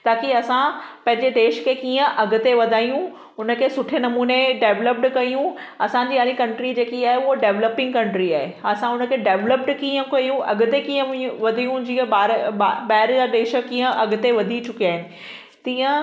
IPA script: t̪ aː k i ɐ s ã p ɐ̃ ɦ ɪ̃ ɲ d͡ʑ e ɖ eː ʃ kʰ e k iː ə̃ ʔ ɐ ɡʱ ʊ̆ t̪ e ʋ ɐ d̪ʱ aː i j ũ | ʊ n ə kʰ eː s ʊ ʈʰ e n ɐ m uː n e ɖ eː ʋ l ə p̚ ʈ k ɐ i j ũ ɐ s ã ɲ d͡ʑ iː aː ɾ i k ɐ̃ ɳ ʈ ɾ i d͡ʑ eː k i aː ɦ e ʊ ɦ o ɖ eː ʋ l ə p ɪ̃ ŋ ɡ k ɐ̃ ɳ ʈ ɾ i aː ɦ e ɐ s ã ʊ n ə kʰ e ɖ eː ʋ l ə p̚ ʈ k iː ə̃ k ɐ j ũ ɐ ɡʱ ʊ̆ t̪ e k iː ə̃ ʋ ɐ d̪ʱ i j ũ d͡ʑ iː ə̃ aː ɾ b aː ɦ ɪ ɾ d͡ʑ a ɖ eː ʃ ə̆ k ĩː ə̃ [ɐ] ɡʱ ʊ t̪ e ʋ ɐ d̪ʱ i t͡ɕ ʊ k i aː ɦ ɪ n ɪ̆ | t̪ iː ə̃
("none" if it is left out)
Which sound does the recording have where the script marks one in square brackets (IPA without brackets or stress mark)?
ɐ